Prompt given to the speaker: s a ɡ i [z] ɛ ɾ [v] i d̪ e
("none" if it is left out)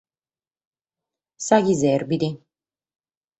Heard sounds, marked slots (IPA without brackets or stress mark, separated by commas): z, b